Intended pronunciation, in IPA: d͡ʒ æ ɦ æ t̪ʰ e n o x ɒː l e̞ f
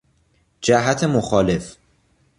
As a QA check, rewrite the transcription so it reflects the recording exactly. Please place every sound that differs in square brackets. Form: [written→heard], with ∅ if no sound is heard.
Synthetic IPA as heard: d͡ʒ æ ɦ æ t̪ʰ e [n→m] o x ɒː l e̞ f